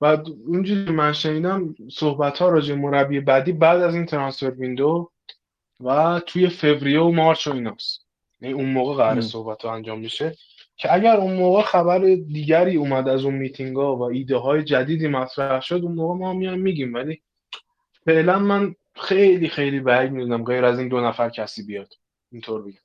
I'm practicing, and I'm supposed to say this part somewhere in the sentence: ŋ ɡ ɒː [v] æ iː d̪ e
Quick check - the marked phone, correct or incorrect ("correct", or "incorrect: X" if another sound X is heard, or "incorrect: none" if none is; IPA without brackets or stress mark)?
correct